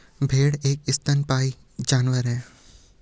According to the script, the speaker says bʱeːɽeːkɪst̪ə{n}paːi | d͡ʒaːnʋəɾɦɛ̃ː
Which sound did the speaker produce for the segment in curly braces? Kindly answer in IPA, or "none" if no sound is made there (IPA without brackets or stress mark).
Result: n